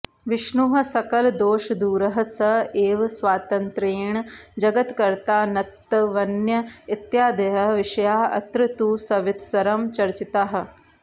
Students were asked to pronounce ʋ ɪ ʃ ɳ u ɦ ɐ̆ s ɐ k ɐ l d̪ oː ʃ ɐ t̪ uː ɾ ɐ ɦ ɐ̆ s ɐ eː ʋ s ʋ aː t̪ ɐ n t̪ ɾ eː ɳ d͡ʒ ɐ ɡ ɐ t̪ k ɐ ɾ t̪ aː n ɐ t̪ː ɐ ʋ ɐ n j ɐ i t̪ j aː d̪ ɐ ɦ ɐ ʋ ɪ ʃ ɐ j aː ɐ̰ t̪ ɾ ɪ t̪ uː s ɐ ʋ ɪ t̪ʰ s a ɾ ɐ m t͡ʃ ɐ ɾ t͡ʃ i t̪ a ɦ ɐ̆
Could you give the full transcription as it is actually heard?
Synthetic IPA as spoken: ʋ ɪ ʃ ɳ u ɦ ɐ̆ s ɐ k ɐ l d̪ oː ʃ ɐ d̪ uː ɾ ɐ ɦ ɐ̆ s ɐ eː ʋ s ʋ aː t̪ ɐ n t̪ ɾ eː ɳ d͡ʒ ɐ ɡ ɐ t̪ k ɐ ɾ t̪ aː n ɐ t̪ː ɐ ʋ ɐ n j ɐ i t̪ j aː d̪ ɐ ɦ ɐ ʋ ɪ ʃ ɐ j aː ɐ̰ t̪ ɾ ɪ t̪ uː s ɐ ʋ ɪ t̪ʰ s ɐ ɾ ɐ m t͡ʃ ɐ ɾ t͡ʃ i t̪ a ɦ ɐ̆